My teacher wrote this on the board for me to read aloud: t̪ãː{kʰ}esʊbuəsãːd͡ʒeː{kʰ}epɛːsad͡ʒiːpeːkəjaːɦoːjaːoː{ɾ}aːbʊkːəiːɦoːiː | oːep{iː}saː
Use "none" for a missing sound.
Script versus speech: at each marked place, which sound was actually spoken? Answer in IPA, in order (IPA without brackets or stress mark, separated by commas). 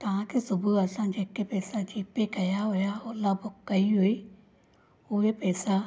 k, k, l, ɛː